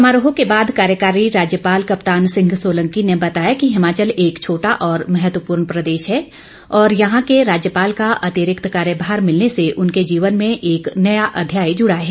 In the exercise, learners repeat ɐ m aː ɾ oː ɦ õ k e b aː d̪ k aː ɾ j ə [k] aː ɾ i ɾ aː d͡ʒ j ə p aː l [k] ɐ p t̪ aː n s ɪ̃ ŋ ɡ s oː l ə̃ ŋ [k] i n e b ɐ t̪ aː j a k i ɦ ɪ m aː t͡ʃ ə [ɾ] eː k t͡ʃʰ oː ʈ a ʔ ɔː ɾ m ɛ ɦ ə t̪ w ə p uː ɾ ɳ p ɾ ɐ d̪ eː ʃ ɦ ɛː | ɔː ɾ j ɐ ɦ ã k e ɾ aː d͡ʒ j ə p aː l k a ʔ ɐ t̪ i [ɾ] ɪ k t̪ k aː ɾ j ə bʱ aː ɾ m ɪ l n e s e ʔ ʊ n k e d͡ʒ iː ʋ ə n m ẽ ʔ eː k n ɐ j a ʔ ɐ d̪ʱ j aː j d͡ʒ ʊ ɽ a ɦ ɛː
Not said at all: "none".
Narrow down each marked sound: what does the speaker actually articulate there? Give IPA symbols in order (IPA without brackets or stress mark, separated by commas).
k, k, k, l, ɾ